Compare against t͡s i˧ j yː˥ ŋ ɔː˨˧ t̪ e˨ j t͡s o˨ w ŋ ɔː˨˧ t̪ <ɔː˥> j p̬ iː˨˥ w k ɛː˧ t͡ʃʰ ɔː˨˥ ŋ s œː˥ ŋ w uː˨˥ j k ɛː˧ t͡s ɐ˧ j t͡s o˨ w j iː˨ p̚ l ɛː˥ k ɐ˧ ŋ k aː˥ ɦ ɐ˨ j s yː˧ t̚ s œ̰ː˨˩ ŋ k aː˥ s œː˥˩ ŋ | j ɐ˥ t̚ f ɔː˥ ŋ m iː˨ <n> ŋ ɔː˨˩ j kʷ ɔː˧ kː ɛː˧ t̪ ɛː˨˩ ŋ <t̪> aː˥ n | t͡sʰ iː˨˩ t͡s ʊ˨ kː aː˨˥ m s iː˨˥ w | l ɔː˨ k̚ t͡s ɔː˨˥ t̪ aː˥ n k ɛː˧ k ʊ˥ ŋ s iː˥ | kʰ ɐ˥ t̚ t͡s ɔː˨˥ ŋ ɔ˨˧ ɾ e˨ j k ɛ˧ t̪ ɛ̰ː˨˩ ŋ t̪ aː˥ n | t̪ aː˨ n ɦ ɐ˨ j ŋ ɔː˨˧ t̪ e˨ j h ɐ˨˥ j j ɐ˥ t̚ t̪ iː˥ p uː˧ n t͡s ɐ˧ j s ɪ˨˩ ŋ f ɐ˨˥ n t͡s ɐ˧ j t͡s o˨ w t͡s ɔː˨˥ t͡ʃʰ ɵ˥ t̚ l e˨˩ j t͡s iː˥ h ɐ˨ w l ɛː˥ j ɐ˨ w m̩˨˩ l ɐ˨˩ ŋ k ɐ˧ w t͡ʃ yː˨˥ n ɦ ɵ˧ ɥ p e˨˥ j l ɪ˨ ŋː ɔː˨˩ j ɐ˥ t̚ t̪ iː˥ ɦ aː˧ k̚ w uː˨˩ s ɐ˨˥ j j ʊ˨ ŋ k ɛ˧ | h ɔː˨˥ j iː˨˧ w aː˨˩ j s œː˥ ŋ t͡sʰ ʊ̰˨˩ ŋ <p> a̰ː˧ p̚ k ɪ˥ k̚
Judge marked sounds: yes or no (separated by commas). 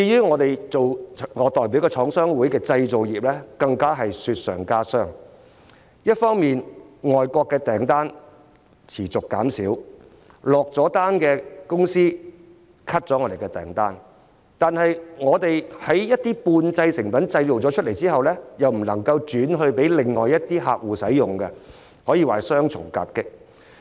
no, yes, yes, no